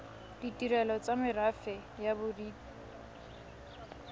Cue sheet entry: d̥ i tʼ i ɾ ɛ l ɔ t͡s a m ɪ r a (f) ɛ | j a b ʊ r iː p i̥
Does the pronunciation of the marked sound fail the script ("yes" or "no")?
no